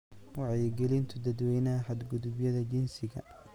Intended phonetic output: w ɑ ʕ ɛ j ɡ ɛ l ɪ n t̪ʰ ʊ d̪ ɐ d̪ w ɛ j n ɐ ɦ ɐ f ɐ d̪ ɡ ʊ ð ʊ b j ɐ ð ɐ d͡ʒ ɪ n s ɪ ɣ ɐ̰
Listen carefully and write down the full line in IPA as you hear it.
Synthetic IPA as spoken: w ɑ ʕ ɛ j ɡ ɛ l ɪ n t̪ʰ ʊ d̪ ɐ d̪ w ɛ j n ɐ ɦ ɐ ħ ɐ d̪ ɡ ʊ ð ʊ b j ɐ ð ɐ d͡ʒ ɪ n s ɪ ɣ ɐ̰